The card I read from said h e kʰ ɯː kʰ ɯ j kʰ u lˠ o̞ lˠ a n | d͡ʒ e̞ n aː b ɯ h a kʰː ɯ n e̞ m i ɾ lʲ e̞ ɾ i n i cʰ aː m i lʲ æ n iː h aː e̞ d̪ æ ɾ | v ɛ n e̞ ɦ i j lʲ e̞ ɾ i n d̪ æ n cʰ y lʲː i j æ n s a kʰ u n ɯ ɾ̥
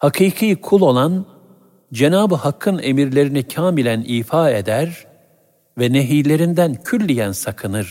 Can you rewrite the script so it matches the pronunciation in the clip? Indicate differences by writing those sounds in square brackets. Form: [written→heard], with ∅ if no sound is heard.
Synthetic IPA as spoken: h [e→a] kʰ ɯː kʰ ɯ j kʰ u lˠ o̞ lˠ a n | d͡ʒ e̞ n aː b ɯ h a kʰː ɯ n e̞ m i ɾ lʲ e̞ ɾ i n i cʰ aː m i lʲ æ n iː [h→f] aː e̞ d̪ æ ɾ | v ɛ n e̞ ɦ i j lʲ e̞ ɾ i n d̪ æ n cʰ y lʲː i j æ n s a kʰ [u→ɯ] n ɯ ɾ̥